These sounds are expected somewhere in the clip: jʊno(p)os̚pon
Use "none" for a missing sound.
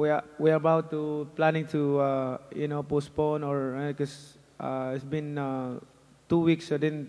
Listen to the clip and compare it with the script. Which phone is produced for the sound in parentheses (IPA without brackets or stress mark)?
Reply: p